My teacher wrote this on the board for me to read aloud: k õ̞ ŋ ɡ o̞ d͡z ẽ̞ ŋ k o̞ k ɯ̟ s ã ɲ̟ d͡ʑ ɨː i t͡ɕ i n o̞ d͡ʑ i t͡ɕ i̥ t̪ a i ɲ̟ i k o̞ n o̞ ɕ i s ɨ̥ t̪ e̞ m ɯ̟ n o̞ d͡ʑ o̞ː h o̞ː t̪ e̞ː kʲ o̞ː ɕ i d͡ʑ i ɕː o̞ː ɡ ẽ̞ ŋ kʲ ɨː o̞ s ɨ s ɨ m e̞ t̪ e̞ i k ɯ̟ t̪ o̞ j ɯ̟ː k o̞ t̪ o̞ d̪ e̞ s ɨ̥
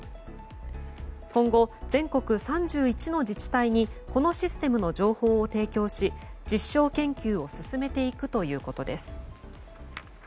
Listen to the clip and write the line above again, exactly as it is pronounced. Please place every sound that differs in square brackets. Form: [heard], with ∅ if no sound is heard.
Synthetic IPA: k õ̞ ŋ ɡ o̞ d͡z ẽ̞ ŋ k o̞ k ɯ̟ s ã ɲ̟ d͡ʑ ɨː i t͡ɕ i n o̞ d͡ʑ i t͡ɕ i̥ t̪ a i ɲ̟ i k o̞ n o̞ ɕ i s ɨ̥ t̪ e̞ m ɯ̟ n o̞ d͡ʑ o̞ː h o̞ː t̪ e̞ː kʲ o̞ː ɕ i d͡ʑ i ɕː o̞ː [k] ẽ̞ ŋ kʲ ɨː o̞ s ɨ s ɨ m e̞ t̪ e̞ i k ɯ̟ t̪ o̞ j ɯ̟ː k o̞ t̪ o̞ d̪ e̞ s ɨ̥